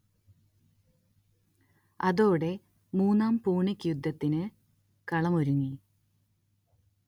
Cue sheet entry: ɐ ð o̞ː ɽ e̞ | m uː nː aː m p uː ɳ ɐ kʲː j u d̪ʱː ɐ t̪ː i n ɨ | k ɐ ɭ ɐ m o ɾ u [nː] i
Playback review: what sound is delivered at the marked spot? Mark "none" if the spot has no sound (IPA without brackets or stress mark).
ŋː